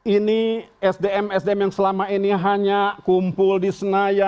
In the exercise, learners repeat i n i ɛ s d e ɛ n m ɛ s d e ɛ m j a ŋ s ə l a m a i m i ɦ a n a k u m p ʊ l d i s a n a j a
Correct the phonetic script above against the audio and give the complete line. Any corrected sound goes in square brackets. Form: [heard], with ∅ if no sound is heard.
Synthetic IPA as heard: i n i ɛ s d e ɛ [∅] m ɛ s d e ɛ m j a ŋ s ə l a m a i [n] i ɦ a [ɲ] a k u m p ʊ l d i s [ə] n a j a